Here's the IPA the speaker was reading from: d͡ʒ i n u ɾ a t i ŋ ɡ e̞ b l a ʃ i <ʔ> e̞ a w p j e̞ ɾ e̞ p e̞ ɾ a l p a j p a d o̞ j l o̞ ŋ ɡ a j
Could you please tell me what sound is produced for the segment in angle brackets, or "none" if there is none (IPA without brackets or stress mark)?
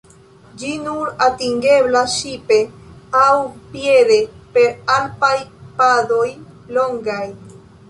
p